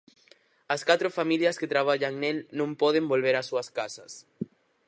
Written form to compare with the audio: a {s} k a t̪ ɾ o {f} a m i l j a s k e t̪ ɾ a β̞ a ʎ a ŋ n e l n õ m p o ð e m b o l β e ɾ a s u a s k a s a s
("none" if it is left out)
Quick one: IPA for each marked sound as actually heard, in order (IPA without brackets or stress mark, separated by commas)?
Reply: s, f